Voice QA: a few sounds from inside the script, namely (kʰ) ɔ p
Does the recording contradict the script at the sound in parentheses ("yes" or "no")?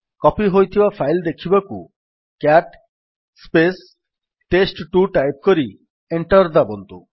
yes